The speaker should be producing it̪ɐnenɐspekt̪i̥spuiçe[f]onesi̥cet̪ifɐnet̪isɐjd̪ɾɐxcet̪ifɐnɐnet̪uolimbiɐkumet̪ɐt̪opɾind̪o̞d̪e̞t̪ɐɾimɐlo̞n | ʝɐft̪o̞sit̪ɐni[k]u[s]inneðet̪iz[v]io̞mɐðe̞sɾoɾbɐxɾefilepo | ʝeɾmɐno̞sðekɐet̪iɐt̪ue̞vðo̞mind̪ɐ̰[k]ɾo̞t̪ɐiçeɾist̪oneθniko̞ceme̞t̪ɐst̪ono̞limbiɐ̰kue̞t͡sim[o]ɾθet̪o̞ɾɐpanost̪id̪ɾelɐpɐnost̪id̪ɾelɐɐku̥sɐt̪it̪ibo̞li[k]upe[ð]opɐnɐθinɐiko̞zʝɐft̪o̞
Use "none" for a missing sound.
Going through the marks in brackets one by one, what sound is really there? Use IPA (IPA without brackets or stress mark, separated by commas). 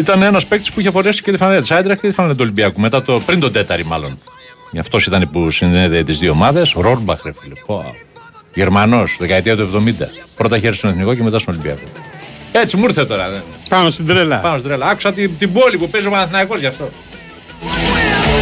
f, p, s, ð, p, u, p, z